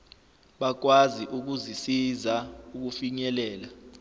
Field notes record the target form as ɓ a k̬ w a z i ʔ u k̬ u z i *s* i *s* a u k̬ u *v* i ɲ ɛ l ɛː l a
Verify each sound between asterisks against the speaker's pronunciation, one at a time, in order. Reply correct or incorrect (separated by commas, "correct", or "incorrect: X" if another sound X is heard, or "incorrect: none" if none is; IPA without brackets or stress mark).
correct, incorrect: z, incorrect: f